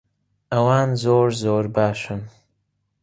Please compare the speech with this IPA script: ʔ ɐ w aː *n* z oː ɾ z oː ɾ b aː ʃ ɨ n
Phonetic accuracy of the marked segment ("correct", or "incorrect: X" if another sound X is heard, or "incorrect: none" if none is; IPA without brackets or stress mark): correct